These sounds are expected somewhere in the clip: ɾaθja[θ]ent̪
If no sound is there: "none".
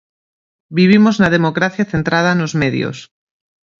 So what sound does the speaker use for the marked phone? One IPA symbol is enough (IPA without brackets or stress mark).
θ